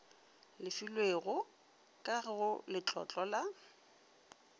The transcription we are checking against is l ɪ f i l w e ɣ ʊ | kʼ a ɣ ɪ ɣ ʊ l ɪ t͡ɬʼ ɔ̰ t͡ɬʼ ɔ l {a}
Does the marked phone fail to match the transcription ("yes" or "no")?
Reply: no